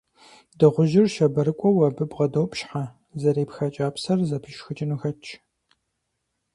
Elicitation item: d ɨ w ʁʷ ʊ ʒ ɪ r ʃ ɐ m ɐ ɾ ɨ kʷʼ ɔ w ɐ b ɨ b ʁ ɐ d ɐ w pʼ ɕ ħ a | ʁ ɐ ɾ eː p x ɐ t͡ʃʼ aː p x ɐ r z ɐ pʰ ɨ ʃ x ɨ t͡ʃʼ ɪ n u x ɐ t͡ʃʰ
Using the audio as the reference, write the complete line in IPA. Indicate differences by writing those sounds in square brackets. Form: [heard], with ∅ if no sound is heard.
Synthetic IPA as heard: d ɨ [∅] ʁʷ ʊ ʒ ɪ r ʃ ɐ [b] ɐ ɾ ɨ kʷʼ ɔ w ɐ b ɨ b ʁ ɐ d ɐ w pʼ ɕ ħ a | [z] ɐ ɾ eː p x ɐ t͡ʃʼ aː p [s] ɐ r z ɐ pʰ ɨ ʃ x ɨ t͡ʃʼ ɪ n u x ɐ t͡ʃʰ